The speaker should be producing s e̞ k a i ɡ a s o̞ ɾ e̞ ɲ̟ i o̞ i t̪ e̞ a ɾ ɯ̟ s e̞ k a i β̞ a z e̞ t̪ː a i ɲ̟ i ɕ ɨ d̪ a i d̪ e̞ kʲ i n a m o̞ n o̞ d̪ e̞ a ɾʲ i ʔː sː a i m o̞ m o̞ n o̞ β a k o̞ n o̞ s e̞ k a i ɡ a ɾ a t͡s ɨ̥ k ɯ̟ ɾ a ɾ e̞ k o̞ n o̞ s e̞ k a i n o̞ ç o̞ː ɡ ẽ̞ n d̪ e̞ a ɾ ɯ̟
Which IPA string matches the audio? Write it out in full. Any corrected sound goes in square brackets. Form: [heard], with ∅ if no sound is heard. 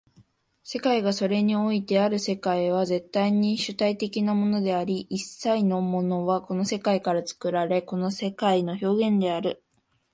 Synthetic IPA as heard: s e̞ k a i ɡ a s o̞ ɾ e̞ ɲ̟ i o̞ i t̪ e̞ a ɾ ɯ̟ s e̞ k a i β̞ a z e̞ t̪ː a i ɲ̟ i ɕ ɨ [t̪] a i [t̪] e̞ kʲ i n a m o̞ n o̞ d̪ e̞ a ɾʲ i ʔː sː a i [n] o̞ m o̞ n o̞ β a k o̞ n o̞ s e̞ k a i [k] a ɾ a t͡s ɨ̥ k ɯ̟ ɾ a ɾ e̞ k o̞ n o̞ s e̞ k a i n o̞ ç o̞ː ɡ ẽ̞ n d̪ e̞ a ɾ ɯ̟